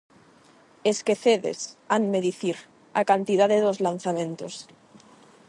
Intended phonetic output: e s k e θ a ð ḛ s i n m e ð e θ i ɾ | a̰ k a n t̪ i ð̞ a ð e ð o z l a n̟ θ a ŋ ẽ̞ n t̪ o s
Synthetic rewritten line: e s k e θ e ð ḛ s a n m e ð i θ i ɾ | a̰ k a n t̪ i ð̞ a ð e ð o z l a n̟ θ a m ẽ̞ n t̪ o s